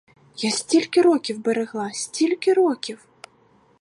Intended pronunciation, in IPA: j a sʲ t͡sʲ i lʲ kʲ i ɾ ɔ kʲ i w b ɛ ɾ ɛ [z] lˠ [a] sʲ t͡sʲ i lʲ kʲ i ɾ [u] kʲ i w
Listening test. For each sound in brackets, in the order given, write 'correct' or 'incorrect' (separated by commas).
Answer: incorrect, correct, incorrect